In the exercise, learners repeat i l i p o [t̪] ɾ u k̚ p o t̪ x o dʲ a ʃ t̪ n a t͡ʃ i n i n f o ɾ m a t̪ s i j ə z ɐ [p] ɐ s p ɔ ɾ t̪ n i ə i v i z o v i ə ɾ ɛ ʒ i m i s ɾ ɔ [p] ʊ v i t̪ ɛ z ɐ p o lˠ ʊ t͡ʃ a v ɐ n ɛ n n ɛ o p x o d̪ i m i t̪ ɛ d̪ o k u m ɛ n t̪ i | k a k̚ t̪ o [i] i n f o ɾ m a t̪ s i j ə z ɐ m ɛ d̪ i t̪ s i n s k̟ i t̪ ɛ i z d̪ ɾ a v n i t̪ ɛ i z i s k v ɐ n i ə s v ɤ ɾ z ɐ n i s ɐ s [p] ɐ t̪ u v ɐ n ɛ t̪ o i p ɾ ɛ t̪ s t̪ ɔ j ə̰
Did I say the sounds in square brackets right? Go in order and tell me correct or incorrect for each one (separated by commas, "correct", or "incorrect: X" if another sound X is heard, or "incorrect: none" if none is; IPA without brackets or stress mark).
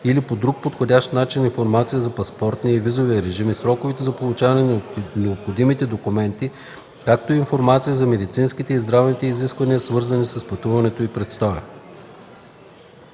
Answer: incorrect: d̪, correct, incorrect: k, correct, correct